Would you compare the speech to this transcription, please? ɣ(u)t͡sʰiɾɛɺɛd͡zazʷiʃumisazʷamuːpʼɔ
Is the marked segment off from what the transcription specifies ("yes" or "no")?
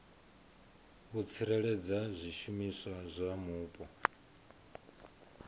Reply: no